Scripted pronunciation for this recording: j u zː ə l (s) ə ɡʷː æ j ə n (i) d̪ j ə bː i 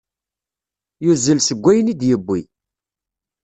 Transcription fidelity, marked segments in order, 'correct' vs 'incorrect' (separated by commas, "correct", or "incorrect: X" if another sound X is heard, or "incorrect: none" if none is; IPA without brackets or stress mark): correct, correct